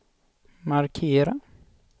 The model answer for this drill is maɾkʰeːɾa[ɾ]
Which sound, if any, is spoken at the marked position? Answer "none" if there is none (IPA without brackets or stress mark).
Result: none